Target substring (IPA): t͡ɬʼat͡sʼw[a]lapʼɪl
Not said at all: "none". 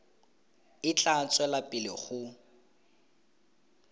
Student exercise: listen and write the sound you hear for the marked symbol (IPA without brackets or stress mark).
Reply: ɛ